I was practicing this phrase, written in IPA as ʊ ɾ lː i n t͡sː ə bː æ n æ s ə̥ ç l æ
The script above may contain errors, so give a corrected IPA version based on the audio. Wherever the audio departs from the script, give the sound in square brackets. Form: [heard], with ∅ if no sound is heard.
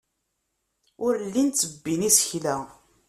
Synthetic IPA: ʊ ɾ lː i n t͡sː ə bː [i] n [i] s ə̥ ç l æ

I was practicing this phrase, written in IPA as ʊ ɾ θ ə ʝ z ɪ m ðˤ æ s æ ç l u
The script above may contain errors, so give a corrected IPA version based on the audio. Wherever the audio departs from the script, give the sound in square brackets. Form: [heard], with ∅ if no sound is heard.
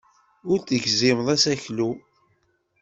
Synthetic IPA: ʊ ɾ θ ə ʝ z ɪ m ðˤ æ s æ ç l u

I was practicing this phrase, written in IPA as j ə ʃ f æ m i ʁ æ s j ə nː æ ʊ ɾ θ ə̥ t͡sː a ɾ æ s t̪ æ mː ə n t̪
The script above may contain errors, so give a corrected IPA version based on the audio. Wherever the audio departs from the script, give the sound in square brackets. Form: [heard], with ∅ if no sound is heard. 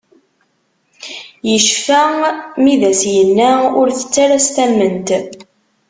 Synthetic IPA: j ə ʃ f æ m i [ð] æ s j ə nː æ ʊ ɾ θ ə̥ t͡sː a ɾ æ s t̪ æ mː ə n t̪

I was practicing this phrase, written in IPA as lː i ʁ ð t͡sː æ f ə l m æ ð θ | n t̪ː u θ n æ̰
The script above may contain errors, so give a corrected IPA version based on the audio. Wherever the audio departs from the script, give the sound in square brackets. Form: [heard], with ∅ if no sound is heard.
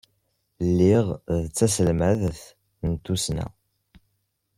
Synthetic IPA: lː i ʁ ð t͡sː æ [s] ə l m æ ð θ | n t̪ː u [s] n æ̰

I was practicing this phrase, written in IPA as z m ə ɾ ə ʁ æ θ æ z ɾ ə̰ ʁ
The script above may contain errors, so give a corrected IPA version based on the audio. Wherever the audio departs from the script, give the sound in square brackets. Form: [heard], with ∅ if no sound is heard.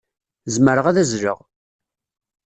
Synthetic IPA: z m ə ɾ ə ʁ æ [ð] æ z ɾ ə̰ ʁ

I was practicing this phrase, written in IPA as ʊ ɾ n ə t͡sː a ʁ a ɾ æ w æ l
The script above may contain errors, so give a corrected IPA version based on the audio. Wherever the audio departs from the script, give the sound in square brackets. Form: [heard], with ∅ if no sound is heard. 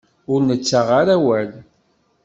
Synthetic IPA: ʊ ɾ n ə t͡sː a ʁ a ɾ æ w æ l

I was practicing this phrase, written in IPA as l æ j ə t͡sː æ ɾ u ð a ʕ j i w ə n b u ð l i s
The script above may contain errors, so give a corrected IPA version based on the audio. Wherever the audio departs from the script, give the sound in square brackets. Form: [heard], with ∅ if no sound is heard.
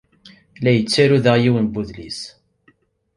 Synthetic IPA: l æ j ə t͡sː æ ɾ u ð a [ʁ] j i w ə n b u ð l i s

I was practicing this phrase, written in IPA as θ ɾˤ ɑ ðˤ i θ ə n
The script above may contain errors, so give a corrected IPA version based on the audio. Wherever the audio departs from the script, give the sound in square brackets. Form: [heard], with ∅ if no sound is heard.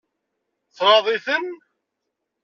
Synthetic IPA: θ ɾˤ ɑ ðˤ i θ ə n

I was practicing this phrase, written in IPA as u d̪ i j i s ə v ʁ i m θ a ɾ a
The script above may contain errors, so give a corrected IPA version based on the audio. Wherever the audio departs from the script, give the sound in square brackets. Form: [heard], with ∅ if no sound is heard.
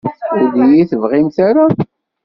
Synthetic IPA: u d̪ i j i [θ] ə v ʁ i m θ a ɾ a

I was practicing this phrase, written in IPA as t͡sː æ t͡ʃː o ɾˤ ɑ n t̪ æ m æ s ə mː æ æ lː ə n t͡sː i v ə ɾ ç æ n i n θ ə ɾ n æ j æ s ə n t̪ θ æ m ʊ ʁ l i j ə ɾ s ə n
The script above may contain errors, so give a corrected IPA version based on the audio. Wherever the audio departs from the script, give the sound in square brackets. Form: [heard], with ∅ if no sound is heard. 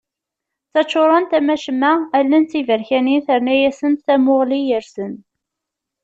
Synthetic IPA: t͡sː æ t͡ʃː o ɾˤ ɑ n t̪ æ m æ [ʃ] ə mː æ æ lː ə n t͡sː i v ə ɾ ç æ n i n θ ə ɾ n æ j æ s ə n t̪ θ æ m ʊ ʁ l i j ə ɾ s ə n

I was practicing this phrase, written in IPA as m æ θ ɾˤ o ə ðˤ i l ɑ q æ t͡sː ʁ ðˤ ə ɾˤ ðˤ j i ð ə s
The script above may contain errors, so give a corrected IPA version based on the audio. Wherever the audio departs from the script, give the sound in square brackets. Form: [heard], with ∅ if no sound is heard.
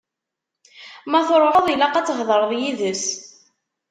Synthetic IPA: m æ θ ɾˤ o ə ðˤ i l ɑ q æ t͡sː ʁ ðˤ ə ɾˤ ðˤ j i ð ə s

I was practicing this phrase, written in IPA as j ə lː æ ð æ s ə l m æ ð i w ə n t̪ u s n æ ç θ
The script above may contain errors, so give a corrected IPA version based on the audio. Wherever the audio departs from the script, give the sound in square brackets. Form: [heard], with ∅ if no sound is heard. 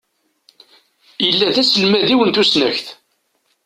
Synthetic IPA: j ə lː æ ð æ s ə l m æ ð i w ə n t̪ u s n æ ç θ

